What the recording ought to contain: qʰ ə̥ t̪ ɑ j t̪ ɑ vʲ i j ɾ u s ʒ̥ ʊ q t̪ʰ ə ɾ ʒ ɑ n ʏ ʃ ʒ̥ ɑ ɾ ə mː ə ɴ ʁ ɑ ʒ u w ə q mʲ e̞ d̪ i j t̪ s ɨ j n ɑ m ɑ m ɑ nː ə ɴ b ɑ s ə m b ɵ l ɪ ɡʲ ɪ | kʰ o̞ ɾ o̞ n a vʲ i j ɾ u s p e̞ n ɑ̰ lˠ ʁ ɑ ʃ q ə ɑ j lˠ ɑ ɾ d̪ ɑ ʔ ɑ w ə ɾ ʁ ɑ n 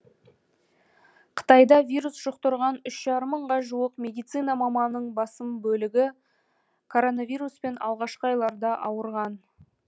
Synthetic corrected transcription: qʰ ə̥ t̪ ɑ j d̪ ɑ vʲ i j ɾ u s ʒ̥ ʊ q t̪ ə ɾ ʁ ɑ n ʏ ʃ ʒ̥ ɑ ɾ ə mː ə ɴ ʁ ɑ ʒ u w ə q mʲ e̞ d̪ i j t̪ s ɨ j n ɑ m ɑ m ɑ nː ə ɴ b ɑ s ə m b ɵ l ɪ ɡʲ ɪ | kʰ o̞ ɾ o̞ n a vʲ i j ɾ u s p e̞ n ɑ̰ lˠ ʁ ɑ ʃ q ə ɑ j lˠ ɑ ɾ d̪ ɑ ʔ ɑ w ə ɾ ʁ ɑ n